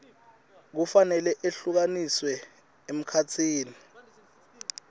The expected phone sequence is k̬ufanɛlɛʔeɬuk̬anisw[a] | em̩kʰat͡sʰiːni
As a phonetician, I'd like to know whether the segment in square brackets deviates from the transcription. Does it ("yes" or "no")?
yes